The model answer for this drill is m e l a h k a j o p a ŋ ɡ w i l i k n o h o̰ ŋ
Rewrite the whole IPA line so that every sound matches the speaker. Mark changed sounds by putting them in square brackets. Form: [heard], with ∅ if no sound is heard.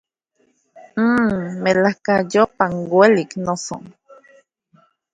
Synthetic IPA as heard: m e l a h k a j o p a ŋ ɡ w [e] l i k n o [s] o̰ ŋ